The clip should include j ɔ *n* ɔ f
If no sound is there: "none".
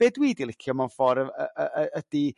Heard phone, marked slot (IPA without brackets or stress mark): m